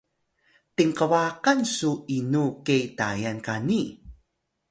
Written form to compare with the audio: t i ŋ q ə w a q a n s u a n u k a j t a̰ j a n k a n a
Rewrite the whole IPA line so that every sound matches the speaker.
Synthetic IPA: t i ŋ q ə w a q a n s u i n u k e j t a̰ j a n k a n i